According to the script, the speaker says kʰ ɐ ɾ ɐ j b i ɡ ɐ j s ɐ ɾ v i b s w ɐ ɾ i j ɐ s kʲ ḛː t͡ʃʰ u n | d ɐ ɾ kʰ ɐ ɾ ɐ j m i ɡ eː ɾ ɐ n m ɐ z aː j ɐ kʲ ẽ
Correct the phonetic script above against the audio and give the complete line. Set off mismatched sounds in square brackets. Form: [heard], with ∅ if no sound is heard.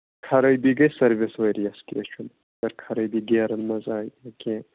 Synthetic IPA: kʰ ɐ ɾ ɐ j b i ɡ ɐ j s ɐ ɾ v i [∅] s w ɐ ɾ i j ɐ s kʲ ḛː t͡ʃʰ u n | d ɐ ɾ kʰ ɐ ɾ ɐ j [b] i ɡ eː ɾ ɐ n m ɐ z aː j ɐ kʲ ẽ